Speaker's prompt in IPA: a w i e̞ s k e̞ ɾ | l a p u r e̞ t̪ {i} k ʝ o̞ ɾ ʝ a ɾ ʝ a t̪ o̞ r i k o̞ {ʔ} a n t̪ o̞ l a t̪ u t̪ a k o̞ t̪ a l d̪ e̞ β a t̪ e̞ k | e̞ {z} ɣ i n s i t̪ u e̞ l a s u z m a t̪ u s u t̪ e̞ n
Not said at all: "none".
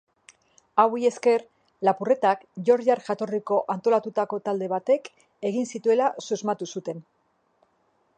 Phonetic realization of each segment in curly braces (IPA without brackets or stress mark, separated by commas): a, ʔ, none